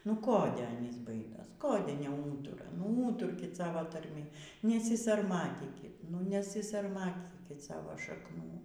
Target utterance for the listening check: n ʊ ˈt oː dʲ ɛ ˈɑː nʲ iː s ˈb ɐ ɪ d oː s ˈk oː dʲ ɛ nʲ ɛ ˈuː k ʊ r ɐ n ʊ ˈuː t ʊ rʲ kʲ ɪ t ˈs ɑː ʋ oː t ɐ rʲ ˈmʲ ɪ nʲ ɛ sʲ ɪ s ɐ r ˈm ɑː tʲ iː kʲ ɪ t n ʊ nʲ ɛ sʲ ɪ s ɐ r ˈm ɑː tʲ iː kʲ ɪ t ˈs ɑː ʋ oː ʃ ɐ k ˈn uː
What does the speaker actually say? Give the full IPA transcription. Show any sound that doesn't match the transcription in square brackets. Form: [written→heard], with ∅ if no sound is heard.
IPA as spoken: n ʊ [ˈt→ˈk] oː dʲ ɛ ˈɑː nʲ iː s ˈb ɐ ɪ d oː s ˈk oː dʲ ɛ nʲ ɛ ˈuː [k→t] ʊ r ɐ n ʊ ˈuː t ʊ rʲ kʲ ɪ t ˈs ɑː ʋ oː t ɐ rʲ ˈmʲ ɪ nʲ ɛ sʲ ɪ s ɐ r ˈm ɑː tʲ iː kʲ ɪ t n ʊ nʲ ɛ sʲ ɪ s ɐ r ˈm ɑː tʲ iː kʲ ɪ t ˈs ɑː ʋ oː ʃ ɐ k ˈn uː

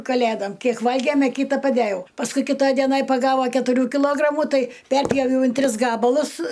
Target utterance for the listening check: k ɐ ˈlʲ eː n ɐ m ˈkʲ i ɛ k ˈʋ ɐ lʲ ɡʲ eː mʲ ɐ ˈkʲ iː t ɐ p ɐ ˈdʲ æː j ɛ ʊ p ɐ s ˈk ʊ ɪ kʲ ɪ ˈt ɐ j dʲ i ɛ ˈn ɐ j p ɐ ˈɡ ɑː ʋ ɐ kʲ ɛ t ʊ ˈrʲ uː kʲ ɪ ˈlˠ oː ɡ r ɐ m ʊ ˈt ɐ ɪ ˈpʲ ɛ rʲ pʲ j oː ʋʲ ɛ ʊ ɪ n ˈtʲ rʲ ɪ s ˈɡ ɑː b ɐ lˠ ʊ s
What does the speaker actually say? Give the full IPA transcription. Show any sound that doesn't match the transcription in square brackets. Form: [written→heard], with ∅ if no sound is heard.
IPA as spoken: k ɐ ˈlʲ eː [n→d] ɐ m ˈkʲ i ɛ k ˈʋ ɐ lʲ ɡʲ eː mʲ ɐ ˈkʲ iː t ɐ p ɐ ˈdʲ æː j ɛ ʊ p ɐ s ˈk ʊ ɪ kʲ ɪ ˈt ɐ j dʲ i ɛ ˈn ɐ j p ɐ ˈɡ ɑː ʋ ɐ kʲ ɛ t ʊ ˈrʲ uː kʲ ɪ ˈlˠ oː ɡ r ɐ m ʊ ˈt ɐ ɪ ˈpʲ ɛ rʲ pʲ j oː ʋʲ ɛ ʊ ɪ n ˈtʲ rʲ ɪ s ˈɡ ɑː b ɐ lˠ ʊ s

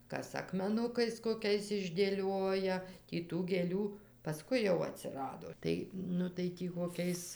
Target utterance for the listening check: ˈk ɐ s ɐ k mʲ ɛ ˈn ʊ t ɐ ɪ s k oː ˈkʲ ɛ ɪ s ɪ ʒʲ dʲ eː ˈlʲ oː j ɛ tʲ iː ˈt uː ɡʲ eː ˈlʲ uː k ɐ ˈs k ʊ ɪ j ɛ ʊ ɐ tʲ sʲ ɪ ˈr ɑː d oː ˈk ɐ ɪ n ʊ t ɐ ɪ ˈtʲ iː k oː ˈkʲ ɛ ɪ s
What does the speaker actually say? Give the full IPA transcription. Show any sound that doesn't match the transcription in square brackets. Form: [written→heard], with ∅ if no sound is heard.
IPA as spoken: ˈk ɐ s ɐ k mʲ ɛ ˈn ʊ [t→k] ɐ ɪ s k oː ˈkʲ ɛ ɪ s ɪ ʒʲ dʲ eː ˈlʲ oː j ɛ tʲ iː ˈt uː ɡʲ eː ˈlʲ uː [k→p] ɐ ˈs k ʊ ɪ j ɛ ʊ ɐ tʲ sʲ ɪ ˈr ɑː d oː [ˈk→ˈt] ɐ ɪ n ʊ t ɐ ɪ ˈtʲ iː k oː ˈkʲ ɛ ɪ s

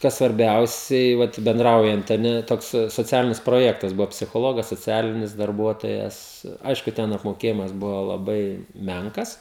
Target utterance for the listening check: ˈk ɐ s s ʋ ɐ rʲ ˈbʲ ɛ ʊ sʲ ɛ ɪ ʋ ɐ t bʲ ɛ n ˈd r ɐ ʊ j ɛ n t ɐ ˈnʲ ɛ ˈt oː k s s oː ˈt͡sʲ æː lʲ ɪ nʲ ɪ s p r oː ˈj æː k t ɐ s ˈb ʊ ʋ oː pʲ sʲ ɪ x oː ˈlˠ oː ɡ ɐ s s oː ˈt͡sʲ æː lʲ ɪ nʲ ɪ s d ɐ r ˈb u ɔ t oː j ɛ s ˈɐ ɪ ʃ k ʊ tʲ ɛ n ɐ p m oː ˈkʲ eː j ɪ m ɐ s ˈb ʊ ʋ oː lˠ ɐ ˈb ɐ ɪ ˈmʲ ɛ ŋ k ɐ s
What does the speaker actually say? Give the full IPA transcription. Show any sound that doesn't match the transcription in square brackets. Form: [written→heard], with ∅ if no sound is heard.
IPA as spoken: ˈk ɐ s s ʋ ɐ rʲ ˈbʲ ɛ ʊ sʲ ɛ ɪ ʋ ɐ t bʲ ɛ n ˈd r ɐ ʊ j ɛ n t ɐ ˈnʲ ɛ ˈt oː k s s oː ˈt͡sʲ æː lʲ ɪ nʲ ɪ s p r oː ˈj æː k t ɐ s ˈb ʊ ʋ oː pʲ sʲ ɪ x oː ˈlˠ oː ɡ ɐ s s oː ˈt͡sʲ æː lʲ ɪ nʲ ɪ s d ɐ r ˈb u ɔ t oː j ɛ s ˈɐ ɪ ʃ k ʊ tʲ ɛ n ɐ p m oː ˈkʲ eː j ɪ m ɐ s ˈb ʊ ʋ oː lˠ ɐ ˈb ɐ ɪ ˈmʲ ɛ ŋ k ɐ s

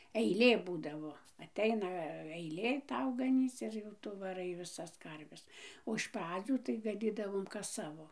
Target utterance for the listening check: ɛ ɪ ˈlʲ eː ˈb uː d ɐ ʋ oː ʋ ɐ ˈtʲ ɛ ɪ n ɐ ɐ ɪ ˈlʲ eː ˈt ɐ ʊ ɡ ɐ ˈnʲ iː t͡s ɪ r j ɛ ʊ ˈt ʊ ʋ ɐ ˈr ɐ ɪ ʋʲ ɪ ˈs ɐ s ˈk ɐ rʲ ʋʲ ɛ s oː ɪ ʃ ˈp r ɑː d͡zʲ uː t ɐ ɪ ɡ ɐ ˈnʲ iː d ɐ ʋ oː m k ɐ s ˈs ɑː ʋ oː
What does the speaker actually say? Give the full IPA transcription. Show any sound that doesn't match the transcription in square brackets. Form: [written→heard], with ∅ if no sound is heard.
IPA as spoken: ɛ ɪ ˈlʲ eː ˈb uː d ɐ ʋ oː [ʋ→∅] ɐ ˈtʲ ɛ ɪ n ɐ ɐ ɪ ˈlʲ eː ˈt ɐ ʊ ɡ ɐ ˈnʲ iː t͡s ɪ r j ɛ ʊ ˈt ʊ ʋ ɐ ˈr ɐ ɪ ʋʲ ɪ ˈs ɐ s ˈk ɐ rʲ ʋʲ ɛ s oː ɪ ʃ ˈp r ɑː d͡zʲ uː t ɐ ɪ ɡ ɐ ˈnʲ iː d ɐ ʋ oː m k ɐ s ˈs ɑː ʋ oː

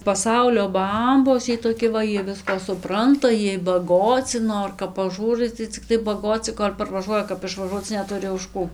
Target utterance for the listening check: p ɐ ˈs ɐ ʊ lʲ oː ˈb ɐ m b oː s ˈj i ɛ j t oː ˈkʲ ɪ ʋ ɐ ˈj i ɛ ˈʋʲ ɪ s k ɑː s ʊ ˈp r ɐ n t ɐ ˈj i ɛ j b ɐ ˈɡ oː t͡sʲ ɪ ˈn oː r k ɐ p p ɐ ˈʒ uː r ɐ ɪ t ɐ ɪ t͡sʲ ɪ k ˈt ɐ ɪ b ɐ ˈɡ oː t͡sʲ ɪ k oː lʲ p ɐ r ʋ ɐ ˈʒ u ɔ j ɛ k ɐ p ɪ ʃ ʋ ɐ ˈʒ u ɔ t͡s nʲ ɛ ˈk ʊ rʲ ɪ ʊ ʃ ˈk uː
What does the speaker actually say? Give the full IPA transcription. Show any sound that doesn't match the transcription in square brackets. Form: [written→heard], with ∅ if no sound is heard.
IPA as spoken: p ɐ ˈs ɐ ʊ lʲ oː ˈb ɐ m b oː s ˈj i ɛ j t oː ˈkʲ ɪ ʋ ɐ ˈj i ɛ ˈʋʲ ɪ s k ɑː s ʊ ˈp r ɐ n t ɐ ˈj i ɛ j b ɐ ˈɡ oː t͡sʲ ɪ ˈn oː r k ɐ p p ɐ ˈʒ uː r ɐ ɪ t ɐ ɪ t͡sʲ ɪ k ˈt ɐ ɪ b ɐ ˈɡ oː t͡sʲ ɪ k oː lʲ p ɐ r ʋ ɐ ˈʒ u ɔ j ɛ k ɐ p ɪ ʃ ʋ ɐ ˈʒ u ɔ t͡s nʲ ɛ [ˈk→ˈt] ʊ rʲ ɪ ʊ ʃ ˈk uː

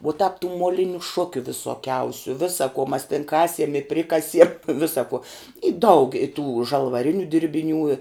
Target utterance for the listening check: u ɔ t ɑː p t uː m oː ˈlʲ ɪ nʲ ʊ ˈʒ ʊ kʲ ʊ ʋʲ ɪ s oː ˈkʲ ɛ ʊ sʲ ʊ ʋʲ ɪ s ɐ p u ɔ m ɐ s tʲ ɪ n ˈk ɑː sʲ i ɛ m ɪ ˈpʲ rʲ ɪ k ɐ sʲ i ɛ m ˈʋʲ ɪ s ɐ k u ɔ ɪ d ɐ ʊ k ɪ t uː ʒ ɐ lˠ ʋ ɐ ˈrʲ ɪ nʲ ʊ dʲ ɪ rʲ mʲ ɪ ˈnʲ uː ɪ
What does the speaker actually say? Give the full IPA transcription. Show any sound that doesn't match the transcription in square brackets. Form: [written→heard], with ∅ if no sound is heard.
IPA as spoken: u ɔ t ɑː p t uː m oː ˈlʲ ɪ nʲ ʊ [ˈʒ→ˈʃ] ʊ kʲ ʊ ʋʲ ɪ s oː ˈkʲ ɛ ʊ sʲ ʊ ʋʲ ɪ s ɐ [p→k] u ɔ m ɐ s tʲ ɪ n ˈk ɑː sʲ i ɛ m ɪ ˈpʲ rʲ ɪ k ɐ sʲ i ɛ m ˈʋʲ ɪ s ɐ k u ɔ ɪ d ɐ ʊ k ɪ t uː ʒ ɐ lˠ ʋ ɐ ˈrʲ ɪ nʲ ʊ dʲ ɪ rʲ [mʲ→bʲ] ɪ ˈnʲ uː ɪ

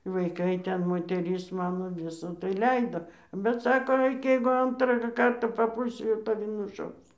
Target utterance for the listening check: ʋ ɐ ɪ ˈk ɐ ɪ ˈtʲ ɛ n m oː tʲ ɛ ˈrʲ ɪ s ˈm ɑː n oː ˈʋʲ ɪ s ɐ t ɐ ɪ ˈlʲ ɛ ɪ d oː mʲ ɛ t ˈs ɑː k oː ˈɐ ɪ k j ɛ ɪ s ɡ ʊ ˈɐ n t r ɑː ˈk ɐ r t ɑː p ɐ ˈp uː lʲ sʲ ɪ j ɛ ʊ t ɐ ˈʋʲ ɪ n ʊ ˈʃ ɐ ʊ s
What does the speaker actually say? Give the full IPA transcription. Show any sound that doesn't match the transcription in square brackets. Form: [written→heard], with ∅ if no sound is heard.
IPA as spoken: ʋ ɐ ɪ ˈk ɐ ɪ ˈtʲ ɛ n m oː tʲ ɛ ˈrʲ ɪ s ˈm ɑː n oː ˈʋʲ ɪ s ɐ t ɐ ɪ ˈlʲ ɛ ɪ d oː [mʲ→bʲ] ɛ t ˈs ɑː k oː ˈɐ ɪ k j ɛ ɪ [s→∅] ɡ ʊ ˈɐ n t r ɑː ˈk ɐ r t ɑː p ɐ ˈp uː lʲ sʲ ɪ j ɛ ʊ t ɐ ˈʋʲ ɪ n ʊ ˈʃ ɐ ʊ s

